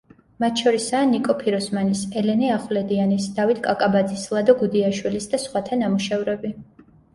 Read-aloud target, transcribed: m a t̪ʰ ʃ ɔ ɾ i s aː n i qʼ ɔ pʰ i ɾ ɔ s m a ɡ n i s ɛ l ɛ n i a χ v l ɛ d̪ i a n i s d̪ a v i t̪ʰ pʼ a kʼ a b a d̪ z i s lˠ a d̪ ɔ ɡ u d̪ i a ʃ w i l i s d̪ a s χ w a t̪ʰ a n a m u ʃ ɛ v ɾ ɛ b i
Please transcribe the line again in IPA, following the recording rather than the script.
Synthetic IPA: m a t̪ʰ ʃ ɔ ɾ i s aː n i kʼ ɔ pʰ i ɾ ɔ s m a n i s ɛ l ɛ n i a χ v l ɛ d̪ i a n i s d̪ a v i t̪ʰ kʼ a kʼ a b a d̪ z i s lˠ a d̪ ɔ ɡ u d̪ i a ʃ w i l i s d̪ a s χ w a t̪ʰ a n a m u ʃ ɛ v ɾ ɛ b i